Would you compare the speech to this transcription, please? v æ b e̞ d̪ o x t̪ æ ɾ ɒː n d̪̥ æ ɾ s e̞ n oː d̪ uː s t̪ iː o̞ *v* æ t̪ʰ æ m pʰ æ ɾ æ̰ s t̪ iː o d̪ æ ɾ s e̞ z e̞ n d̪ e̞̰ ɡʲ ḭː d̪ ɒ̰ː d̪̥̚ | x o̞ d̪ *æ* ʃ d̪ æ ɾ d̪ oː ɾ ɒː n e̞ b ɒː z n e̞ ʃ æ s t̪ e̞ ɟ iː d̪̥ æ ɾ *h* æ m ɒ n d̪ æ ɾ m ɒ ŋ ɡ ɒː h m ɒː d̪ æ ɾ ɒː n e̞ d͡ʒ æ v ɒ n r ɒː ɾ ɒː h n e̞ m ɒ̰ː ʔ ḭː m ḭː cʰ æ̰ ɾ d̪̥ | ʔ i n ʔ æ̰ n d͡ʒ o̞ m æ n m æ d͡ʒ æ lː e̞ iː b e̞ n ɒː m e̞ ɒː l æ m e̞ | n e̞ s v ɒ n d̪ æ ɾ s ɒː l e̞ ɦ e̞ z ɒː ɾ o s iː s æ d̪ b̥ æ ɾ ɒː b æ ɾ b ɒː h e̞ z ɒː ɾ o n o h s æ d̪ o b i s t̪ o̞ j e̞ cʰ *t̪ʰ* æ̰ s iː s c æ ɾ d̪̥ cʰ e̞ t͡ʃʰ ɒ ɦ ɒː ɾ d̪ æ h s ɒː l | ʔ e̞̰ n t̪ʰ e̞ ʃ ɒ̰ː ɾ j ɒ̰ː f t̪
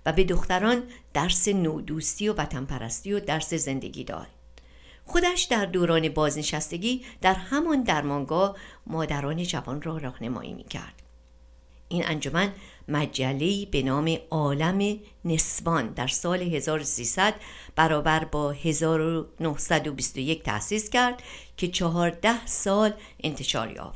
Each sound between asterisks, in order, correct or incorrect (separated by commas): correct, correct, correct, correct